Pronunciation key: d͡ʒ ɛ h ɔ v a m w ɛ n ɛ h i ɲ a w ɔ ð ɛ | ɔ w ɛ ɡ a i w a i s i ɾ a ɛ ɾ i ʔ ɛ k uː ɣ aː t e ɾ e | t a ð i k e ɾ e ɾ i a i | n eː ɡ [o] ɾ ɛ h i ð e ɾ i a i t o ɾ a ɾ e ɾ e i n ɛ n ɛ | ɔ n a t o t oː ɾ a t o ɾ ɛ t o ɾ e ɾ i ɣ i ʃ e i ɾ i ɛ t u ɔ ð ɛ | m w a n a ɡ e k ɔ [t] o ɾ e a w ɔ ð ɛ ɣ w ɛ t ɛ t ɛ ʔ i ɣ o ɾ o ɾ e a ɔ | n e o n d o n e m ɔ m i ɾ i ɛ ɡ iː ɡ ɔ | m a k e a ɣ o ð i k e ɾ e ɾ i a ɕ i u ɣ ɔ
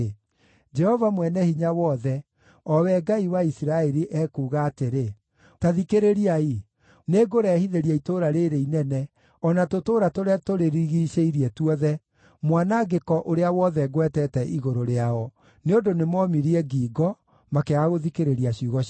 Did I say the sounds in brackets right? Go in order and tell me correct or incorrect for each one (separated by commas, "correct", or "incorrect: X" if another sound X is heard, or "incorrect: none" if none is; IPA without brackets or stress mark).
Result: correct, incorrect: ʔ